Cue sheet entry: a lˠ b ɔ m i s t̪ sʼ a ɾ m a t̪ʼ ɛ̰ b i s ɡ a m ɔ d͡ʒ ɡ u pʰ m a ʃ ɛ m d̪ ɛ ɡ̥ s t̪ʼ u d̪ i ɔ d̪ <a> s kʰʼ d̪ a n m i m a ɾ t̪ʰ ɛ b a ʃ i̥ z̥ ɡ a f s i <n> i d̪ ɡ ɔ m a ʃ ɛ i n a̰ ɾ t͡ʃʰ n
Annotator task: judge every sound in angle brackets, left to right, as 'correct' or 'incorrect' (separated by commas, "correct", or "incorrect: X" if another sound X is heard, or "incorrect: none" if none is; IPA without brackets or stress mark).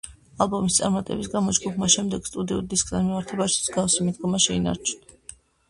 incorrect: i, incorrect: m